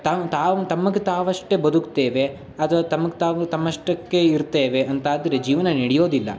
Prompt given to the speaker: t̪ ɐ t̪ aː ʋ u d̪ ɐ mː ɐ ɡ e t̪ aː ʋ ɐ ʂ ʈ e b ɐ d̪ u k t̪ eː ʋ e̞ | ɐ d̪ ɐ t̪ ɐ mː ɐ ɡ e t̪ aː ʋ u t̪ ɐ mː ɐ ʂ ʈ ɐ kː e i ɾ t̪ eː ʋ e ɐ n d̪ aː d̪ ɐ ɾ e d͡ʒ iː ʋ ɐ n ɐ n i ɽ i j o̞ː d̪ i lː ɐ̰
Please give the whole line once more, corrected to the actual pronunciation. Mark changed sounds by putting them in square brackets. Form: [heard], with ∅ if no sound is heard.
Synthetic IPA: t̪ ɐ t̪ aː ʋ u [t̪] ɐ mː ɐ ɡ e t̪ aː ʋ ɐ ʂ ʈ e b ɐ d̪ u k t̪ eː ʋ e̞ | ɐ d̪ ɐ t̪ ɐ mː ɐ ɡ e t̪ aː ʋ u t̪ ɐ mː ɐ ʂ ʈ ɐ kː e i ɾ t̪ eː ʋ e ɐ n [t̪] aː d̪ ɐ ɾ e d͡ʒ iː ʋ ɐ n ɐ n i ɽ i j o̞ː d̪ i lː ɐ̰